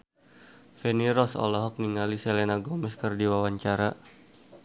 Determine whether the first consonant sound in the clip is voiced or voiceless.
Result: voiceless